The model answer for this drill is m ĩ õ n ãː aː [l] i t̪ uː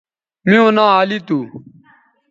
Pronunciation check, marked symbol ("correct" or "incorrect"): correct